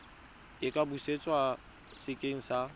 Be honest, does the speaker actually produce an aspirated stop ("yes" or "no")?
no